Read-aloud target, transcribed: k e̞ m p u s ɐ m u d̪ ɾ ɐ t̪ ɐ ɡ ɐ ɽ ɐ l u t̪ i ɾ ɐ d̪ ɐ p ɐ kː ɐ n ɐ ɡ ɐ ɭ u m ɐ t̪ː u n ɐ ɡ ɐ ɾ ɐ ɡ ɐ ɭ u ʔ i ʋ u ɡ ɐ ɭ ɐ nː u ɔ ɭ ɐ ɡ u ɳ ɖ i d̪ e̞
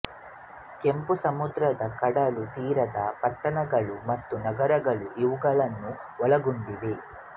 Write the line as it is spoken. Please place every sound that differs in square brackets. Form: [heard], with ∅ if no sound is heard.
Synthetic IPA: k e̞ m p u s ɐ m u d̪ ɾ ɐ [d̪] ɐ [k] ɐ ɽ ɐ l u t̪ [iː] ɾ ɐ d̪ ɐ p ɐ [ʈː] ɐ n ɐ ɡ ɐ ɭ u m ɐ t̪ː u n ɐ ɡ ɐ ɾ ɐ ɡ ɐ ɭ u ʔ i ʋ u ɡ ɐ ɭ ɐ nː u ɔ ɭ ɐ ɡ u ɳ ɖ i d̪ e̞